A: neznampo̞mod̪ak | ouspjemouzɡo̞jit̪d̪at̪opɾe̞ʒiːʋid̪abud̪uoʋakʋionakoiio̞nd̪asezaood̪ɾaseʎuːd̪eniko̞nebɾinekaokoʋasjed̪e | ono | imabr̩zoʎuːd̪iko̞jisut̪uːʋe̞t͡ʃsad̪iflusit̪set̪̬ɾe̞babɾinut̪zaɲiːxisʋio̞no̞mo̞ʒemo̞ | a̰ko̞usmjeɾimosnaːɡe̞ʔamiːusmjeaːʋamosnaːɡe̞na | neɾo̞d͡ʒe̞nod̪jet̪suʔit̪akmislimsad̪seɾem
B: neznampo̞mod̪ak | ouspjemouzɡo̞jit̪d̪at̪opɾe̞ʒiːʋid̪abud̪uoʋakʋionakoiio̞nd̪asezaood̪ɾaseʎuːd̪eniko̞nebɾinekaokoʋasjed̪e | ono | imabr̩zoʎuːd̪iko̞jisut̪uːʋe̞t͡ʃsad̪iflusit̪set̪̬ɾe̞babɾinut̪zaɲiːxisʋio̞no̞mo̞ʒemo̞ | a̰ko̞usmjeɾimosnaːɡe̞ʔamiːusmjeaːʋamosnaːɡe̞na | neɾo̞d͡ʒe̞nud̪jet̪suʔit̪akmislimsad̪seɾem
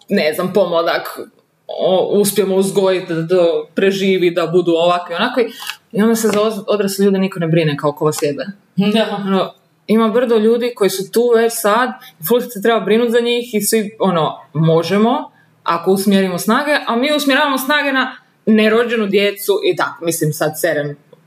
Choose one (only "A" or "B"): B